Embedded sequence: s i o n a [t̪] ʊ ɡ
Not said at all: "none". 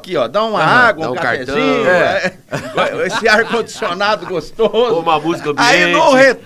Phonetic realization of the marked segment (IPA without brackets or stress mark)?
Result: d̪